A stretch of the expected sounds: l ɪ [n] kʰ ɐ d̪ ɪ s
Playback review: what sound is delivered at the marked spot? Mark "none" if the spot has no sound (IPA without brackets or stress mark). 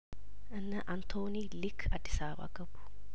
none